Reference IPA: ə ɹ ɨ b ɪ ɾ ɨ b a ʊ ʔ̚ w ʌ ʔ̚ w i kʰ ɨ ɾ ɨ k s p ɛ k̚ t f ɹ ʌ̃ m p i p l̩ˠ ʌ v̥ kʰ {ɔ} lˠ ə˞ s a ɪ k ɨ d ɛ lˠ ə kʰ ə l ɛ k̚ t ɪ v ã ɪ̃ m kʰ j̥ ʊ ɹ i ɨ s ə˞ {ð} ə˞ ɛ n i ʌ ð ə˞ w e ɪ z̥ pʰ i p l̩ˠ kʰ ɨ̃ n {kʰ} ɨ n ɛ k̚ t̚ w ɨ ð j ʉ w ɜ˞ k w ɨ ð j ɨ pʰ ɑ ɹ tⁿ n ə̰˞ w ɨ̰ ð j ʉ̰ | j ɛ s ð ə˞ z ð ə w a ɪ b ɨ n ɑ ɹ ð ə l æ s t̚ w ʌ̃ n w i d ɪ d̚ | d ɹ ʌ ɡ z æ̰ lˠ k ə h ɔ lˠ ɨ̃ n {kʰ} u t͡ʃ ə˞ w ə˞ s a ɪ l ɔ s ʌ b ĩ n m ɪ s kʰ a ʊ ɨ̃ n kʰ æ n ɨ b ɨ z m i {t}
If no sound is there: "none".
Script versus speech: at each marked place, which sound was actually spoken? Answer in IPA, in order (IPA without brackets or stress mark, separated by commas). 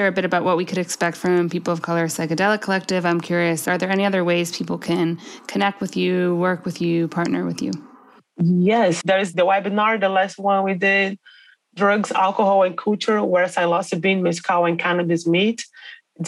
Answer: ʌ, ð, kʰ, kʰ, t